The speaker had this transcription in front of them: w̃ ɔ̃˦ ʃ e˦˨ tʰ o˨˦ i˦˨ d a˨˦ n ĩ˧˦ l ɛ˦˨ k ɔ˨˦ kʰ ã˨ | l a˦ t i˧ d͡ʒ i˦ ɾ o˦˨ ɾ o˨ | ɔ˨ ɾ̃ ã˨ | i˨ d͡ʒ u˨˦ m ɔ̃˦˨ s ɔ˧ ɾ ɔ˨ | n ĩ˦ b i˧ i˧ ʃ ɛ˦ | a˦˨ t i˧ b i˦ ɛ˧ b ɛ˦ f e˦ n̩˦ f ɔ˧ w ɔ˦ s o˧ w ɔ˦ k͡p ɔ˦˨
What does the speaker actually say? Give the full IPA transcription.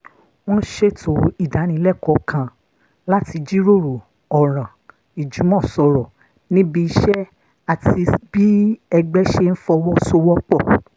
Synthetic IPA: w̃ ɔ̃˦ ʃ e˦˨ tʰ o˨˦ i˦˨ d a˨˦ n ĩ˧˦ l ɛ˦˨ k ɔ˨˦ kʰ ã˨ | l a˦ t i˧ d͡ʒ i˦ ɾ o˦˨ ɾ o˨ | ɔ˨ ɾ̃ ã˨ | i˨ d͡ʒ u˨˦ m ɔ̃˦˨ s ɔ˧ ɾ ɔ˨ | n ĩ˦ b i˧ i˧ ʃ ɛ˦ | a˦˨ t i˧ b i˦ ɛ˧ ɡ͡b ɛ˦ ʃ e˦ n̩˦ f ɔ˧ w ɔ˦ s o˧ w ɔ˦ k͡p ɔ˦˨